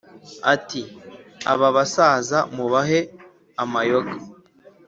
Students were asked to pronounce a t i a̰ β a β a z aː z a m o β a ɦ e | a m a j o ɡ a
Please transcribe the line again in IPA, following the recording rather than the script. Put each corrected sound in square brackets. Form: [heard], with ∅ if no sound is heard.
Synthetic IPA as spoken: a t i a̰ β a β a [s] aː z a m [u] β a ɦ e | a m a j o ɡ a